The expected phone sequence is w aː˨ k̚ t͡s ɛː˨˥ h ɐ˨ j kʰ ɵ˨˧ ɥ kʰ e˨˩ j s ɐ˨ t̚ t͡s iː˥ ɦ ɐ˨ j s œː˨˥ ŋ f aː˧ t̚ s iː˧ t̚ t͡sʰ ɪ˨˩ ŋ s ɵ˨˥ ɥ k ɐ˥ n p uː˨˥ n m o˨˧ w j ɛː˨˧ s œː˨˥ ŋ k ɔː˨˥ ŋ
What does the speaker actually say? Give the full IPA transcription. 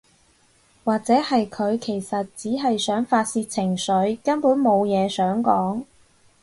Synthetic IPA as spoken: w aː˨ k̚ t͡s ɛː˨˥ h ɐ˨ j kʰ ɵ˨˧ ɥ kʰ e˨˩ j s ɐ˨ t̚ t͡s iː˨˥ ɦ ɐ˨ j s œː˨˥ ŋ f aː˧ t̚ s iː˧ t̚ t͡sʰ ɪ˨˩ ŋ s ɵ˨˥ ɥ k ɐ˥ n p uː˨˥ n m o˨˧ w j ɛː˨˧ s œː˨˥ ŋ k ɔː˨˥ ŋ